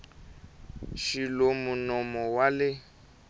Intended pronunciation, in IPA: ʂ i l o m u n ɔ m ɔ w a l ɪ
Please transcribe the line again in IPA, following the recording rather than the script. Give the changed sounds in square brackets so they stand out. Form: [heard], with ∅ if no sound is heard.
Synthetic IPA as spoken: [ʃ] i l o m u n ɔ m ɔ w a l ɪ